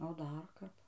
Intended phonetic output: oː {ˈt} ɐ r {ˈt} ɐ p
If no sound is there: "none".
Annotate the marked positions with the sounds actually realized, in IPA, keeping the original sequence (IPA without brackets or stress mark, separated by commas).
d, k